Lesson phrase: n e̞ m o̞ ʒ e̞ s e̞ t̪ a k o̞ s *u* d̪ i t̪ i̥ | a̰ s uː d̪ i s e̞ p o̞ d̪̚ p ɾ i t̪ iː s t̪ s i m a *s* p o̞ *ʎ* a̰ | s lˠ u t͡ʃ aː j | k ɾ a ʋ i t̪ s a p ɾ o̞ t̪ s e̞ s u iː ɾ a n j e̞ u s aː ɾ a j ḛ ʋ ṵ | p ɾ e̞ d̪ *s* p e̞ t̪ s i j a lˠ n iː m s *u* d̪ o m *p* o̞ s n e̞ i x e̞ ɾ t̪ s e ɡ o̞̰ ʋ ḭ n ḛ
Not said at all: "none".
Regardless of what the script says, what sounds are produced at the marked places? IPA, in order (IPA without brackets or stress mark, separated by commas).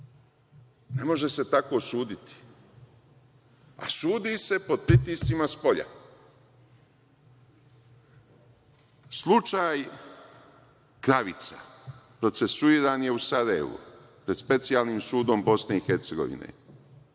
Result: uː, s, ʎ, s, uː, b